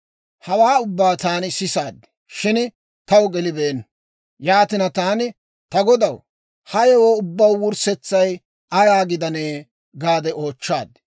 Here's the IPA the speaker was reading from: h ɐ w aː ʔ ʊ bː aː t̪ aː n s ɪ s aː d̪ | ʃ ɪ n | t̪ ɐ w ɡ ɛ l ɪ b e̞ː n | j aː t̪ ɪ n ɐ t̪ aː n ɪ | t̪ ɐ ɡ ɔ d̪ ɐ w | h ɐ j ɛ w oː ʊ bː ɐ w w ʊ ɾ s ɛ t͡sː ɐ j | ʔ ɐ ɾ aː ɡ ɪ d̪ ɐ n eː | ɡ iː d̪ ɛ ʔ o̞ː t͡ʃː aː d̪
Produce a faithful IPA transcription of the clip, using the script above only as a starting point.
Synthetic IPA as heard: h ɐ w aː ʊ bː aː t̪ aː n s ɪ s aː d̪ | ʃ ɪ n | t̪ ɐ w ɡ ɛ l ɪ b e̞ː n | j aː t̪ ɪ n ɐ t̪ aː n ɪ | t̪ ɐ ɡ ɔ d̪ ɐ w | h ɐ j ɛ w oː ʊ bː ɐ w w ʊ ɾ s ɛ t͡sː ɐ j | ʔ ɐ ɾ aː ɡ ɪ d̪ ɐ n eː | ɡ aː d̪ ɛ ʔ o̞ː t͡ʃː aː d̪